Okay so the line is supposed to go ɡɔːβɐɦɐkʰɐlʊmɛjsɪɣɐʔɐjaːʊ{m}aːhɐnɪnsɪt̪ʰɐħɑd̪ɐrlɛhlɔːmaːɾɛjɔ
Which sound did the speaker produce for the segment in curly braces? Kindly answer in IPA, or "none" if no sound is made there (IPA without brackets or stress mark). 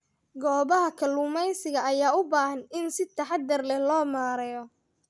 b